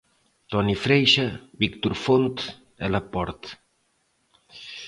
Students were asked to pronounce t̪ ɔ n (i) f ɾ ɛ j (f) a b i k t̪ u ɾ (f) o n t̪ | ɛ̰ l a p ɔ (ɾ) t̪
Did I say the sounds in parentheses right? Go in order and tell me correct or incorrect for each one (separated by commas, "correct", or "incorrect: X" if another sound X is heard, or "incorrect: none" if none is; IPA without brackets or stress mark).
correct, incorrect: ʃ, correct, correct